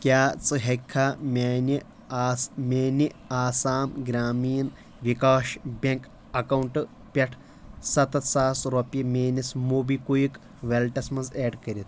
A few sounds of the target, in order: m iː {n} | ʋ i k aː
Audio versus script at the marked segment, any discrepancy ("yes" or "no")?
no